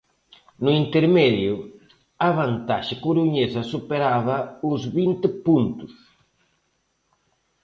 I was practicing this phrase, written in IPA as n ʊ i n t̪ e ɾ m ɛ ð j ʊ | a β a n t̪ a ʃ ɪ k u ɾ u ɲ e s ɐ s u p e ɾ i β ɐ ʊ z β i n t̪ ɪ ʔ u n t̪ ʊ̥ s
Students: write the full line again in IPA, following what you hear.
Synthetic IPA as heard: n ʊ i n t̪ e ɾ m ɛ ð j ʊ | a β a n t̪ a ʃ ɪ k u ɾ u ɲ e s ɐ s u p e ɾ a β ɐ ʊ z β i n t̪ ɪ p u n t̪ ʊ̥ s